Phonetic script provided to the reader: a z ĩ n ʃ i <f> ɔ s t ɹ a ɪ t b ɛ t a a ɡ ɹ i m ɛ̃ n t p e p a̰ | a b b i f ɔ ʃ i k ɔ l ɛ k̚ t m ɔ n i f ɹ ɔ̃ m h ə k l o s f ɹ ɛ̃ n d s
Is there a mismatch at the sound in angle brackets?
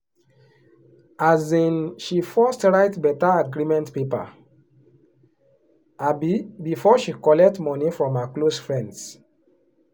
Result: no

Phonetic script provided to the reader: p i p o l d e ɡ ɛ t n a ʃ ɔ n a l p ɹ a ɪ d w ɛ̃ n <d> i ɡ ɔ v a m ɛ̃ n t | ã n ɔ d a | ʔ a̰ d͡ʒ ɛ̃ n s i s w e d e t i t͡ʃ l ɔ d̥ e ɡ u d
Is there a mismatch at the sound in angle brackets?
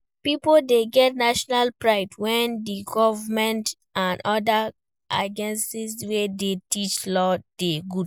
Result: no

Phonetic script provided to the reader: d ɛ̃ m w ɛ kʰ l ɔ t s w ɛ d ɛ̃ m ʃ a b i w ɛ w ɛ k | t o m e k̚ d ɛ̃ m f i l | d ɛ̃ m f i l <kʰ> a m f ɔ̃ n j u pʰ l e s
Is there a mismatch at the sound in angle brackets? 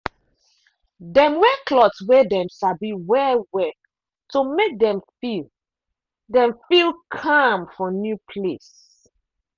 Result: no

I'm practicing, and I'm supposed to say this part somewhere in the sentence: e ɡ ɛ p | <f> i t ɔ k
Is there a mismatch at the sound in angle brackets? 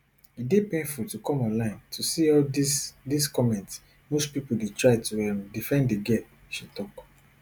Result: yes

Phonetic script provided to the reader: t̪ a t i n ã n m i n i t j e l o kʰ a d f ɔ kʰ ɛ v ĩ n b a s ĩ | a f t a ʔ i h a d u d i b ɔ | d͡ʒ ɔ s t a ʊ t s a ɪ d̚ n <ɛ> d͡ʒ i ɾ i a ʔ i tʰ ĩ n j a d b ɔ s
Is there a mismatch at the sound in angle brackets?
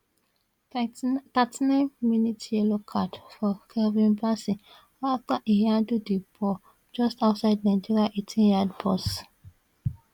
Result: yes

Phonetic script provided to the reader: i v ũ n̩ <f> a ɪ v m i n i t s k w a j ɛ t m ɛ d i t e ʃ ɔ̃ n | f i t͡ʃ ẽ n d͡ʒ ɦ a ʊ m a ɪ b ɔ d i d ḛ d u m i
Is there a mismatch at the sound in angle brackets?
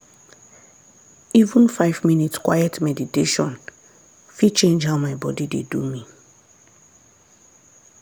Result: no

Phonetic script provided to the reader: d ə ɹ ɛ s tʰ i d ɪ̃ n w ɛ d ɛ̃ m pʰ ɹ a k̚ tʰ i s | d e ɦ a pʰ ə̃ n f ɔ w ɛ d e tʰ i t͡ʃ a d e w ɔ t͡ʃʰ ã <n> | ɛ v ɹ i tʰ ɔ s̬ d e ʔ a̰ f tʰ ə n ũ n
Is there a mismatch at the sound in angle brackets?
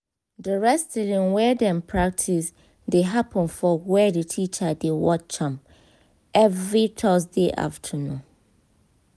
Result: yes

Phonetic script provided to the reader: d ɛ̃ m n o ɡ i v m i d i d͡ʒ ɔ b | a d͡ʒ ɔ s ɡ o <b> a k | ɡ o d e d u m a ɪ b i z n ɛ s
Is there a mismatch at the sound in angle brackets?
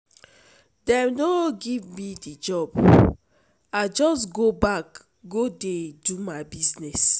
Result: no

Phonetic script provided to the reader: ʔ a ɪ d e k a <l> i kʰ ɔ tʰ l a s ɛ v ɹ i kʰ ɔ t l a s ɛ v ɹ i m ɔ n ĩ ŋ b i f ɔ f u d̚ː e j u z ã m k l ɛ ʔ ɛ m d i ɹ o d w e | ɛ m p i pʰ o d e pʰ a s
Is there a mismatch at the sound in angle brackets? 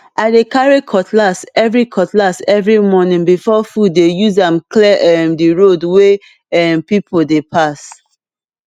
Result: yes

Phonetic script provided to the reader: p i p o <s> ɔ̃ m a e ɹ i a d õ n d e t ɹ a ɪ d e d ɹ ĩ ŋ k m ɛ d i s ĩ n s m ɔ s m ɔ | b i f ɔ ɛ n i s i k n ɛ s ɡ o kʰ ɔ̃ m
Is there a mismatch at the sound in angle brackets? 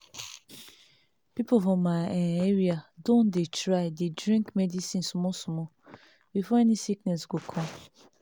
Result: yes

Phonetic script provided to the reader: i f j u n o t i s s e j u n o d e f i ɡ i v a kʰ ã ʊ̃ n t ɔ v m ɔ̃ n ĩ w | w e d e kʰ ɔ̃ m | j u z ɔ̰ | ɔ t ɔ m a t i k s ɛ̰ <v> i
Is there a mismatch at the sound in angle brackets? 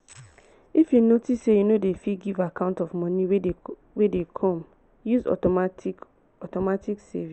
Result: no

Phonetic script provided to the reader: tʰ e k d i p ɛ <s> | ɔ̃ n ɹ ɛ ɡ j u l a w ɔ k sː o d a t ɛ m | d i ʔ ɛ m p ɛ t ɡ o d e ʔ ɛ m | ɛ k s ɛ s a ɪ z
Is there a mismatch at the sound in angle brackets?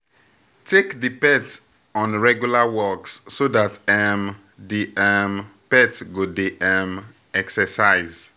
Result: yes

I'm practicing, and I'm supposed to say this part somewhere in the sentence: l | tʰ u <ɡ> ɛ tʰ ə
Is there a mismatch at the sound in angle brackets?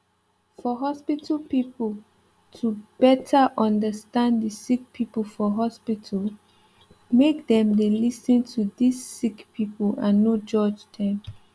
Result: yes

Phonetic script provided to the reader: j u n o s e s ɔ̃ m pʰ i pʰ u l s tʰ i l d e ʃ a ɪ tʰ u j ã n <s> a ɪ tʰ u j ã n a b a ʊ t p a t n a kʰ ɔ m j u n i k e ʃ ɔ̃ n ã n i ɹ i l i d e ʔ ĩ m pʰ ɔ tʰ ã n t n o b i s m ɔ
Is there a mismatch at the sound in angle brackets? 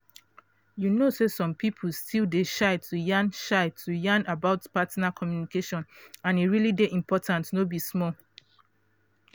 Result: yes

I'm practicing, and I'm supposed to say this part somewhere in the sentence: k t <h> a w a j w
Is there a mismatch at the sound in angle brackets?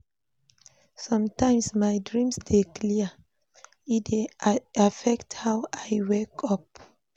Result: no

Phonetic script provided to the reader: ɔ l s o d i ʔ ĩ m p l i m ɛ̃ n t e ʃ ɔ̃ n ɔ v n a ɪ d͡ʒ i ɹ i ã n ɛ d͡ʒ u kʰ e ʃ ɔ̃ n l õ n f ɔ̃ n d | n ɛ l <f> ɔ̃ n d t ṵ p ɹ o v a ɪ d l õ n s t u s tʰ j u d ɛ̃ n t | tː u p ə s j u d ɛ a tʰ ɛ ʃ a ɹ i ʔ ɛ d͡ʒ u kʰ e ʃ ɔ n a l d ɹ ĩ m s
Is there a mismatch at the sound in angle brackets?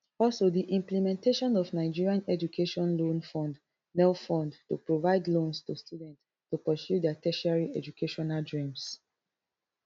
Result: no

